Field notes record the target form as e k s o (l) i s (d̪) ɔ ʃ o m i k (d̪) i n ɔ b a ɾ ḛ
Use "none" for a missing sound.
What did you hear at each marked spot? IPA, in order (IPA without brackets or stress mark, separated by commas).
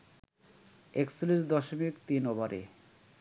l, d̪, t̪